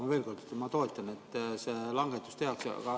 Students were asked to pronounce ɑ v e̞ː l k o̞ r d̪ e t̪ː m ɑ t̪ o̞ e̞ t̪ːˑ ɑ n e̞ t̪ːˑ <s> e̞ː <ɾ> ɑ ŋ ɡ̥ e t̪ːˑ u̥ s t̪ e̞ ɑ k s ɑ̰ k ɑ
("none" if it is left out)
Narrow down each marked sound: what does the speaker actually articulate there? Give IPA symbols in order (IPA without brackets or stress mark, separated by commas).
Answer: s, l